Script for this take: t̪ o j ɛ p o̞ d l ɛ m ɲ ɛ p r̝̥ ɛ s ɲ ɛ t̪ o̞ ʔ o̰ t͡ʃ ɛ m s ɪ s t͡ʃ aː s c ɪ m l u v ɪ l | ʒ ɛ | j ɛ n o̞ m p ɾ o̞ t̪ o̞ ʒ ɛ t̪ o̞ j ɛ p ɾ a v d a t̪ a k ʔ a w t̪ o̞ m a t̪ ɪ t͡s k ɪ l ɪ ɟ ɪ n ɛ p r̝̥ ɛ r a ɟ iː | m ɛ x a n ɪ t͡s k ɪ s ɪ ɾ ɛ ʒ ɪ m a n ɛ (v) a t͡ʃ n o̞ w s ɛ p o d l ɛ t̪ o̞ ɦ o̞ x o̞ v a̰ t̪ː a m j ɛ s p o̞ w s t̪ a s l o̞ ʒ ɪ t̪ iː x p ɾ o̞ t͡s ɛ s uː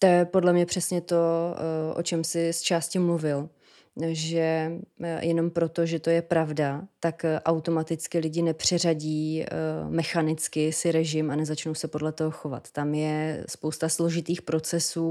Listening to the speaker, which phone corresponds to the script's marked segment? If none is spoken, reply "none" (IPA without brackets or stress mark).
z